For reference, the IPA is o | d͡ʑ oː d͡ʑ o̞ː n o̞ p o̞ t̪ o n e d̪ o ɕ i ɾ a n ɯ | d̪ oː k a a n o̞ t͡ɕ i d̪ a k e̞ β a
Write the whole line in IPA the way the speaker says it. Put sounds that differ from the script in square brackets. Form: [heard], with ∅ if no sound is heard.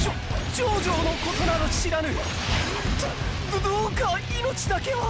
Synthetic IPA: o | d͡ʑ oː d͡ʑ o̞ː n o̞ [k] o̞ t̪ o n [a] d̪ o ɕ i ɾ a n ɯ | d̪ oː k a [i] n o̞ t͡ɕ i d̪ a k e̞ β a